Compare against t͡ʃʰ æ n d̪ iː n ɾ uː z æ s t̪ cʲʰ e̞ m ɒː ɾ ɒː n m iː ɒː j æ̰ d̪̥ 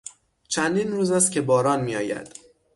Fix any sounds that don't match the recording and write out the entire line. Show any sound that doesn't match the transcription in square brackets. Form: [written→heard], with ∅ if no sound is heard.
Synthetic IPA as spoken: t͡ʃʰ æ n d̪ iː n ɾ uː z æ s t̪ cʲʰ e̞ [m→b] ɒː ɾ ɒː n m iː ɒː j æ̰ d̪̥